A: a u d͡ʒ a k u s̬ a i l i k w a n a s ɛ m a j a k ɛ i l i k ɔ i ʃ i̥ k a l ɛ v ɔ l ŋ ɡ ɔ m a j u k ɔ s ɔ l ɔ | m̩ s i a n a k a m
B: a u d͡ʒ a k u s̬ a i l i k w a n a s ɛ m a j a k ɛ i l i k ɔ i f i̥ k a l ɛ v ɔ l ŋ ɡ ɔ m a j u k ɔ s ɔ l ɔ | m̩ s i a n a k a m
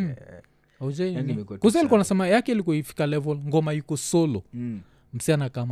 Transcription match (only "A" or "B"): B